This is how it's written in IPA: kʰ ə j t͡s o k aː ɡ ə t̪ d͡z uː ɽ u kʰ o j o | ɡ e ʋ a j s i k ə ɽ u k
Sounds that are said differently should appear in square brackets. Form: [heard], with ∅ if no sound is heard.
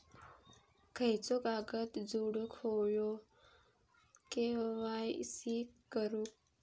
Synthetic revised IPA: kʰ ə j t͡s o k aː ɡ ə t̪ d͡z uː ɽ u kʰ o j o | [k] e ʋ a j s i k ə [ɾ] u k